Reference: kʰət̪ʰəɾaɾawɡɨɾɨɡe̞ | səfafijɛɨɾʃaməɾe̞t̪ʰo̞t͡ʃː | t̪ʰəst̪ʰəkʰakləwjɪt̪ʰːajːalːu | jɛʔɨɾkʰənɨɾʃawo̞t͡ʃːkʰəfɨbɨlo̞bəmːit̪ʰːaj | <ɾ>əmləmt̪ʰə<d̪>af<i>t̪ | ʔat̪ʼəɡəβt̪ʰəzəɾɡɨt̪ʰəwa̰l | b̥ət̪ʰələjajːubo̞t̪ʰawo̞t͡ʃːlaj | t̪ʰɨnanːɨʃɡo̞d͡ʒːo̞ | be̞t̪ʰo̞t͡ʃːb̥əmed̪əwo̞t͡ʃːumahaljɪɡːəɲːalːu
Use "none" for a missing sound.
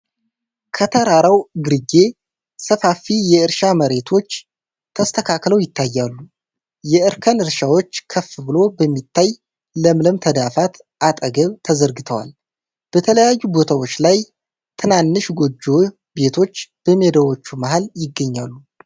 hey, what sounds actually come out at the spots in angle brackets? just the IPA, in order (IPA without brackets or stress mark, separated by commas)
l, d̪, a